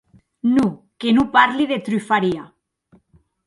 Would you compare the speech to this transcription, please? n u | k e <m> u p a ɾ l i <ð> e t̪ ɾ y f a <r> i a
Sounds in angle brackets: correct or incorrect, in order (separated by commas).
incorrect, correct, incorrect